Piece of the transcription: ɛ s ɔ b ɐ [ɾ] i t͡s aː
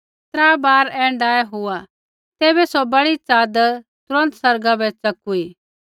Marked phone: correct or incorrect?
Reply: incorrect